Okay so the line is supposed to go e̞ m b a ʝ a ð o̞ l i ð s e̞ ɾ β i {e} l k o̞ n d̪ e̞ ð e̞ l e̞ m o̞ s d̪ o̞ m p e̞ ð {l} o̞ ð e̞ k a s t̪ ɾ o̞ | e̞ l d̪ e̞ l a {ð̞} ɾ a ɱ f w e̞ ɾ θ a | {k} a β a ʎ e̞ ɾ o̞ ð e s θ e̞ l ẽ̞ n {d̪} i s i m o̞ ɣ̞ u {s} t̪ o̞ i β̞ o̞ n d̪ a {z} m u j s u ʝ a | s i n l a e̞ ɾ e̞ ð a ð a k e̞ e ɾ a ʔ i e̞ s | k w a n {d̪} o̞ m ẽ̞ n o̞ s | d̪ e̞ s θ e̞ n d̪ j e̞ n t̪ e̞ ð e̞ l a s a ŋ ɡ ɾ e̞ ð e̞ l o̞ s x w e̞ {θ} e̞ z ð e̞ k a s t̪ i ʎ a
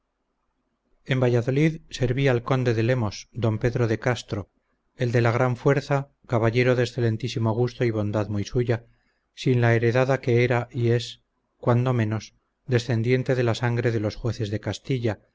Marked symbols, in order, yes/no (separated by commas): no, no, no, yes, no, yes, no, yes, yes